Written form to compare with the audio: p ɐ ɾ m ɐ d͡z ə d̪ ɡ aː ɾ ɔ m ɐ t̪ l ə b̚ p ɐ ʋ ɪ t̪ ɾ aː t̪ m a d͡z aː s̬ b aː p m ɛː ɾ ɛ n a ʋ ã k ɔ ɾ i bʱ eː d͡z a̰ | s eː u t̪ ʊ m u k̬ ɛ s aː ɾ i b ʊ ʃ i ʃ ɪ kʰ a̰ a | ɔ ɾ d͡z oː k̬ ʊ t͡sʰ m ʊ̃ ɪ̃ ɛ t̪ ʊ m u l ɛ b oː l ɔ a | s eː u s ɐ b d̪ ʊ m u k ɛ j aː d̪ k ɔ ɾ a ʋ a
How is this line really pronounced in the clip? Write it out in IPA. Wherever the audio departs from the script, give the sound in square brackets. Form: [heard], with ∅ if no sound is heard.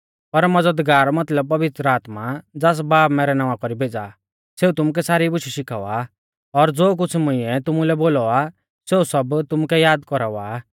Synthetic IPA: p ɐ ɾ m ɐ d͡z ə d̪ ɡ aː ɾ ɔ m ɐ t̪ l ə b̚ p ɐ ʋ ɪ t̪ ɾ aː t̪ m a d͡z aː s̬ b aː p m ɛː ɾ ɛ n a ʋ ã k ɔ ɾ i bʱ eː d͡z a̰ | s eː u t̪ ʊ m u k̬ ɛ s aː ɾ i b ʊ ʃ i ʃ ɪ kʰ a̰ a | ɔ ɾ d͡z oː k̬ ʊ t͡sʰ m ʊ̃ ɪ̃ ɛ t̪ ʊ m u l ɛ b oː l ɔ a | s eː u s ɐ b [t̪] ʊ m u k ɛ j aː d̪ k ɔ ɾ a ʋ a